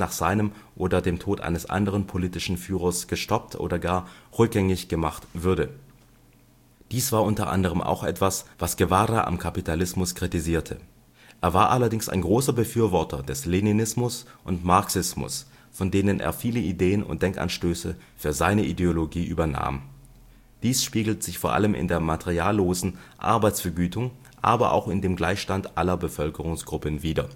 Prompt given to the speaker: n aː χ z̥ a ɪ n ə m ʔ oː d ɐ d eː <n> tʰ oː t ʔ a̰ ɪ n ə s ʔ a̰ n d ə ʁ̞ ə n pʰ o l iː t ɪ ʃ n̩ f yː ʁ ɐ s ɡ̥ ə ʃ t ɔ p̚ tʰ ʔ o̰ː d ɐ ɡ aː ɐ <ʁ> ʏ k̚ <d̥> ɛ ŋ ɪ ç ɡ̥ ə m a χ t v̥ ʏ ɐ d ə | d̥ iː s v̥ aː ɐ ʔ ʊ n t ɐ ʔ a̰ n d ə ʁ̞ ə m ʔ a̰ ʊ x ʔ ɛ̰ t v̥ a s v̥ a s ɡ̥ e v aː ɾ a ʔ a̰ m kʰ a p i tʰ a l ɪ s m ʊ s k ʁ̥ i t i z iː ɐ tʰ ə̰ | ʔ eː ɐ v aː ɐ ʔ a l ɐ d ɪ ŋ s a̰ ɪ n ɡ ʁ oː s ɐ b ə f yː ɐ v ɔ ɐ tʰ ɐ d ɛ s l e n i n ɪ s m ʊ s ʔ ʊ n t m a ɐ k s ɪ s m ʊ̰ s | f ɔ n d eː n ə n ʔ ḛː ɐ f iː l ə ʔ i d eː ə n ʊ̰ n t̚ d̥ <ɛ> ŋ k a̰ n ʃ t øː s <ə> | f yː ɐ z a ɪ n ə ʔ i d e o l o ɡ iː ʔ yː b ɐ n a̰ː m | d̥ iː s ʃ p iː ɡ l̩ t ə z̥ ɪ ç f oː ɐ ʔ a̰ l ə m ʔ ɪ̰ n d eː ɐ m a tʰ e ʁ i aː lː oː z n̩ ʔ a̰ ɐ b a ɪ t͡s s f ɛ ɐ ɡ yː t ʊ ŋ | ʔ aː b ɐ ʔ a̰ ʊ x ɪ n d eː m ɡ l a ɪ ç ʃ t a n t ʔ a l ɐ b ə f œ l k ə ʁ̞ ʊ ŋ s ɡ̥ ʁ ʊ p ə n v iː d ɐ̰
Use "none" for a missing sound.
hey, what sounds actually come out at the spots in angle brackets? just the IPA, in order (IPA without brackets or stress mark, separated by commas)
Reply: m, ʁ, ɡ̥, ɛ, ə